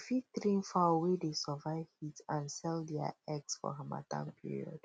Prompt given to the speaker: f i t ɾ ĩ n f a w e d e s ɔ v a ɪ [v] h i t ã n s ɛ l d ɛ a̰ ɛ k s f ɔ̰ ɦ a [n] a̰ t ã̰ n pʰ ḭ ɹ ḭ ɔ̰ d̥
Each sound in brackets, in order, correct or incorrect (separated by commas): correct, incorrect